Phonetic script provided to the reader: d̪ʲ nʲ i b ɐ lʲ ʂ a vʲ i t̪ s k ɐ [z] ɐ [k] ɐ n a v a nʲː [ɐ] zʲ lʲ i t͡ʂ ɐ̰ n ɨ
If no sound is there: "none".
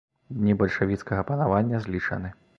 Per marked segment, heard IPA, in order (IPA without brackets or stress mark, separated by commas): ɣ, p, ɐ